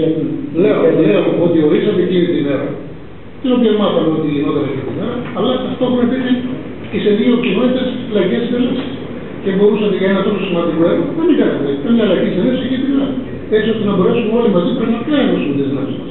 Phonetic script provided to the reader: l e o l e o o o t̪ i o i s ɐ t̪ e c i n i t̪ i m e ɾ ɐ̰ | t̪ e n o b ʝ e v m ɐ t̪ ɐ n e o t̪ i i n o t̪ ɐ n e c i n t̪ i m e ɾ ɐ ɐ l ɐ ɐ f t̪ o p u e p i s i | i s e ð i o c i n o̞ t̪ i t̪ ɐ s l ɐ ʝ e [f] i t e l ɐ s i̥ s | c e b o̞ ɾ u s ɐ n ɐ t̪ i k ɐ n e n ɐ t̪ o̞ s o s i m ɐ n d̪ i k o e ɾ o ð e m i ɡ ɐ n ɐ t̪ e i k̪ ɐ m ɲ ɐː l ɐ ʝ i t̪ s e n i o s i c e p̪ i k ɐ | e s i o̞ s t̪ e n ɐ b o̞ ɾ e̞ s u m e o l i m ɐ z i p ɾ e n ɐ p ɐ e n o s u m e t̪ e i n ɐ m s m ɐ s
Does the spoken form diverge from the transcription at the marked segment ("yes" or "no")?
yes